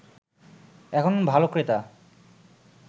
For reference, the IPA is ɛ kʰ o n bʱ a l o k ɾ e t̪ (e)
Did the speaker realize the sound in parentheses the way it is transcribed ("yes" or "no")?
no